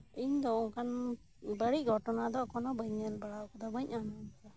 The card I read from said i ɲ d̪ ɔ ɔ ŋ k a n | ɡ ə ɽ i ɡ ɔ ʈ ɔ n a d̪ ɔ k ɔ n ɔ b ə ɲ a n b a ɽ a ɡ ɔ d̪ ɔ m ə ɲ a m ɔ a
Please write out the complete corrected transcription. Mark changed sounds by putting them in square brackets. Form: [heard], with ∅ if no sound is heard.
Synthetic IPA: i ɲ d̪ ɔ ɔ ŋ k a n | [b] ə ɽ i ɡ ɔ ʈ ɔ n a d̪ ɔ k ɔ n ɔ b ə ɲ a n b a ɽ a [k] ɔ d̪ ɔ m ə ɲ a [n] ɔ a